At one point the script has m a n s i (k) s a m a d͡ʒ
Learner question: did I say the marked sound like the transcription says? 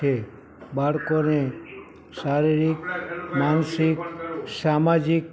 yes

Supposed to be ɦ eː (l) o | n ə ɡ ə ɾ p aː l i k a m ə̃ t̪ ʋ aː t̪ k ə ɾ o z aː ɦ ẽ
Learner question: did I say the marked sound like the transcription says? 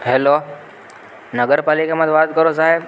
yes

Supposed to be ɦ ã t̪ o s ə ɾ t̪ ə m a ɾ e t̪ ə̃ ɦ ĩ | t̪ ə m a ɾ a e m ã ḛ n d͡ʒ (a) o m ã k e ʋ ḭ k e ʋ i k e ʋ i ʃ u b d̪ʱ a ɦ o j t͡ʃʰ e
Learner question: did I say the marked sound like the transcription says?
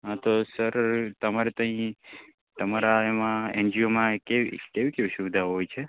no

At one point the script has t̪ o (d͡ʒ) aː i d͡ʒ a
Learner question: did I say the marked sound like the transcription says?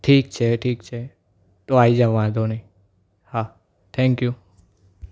no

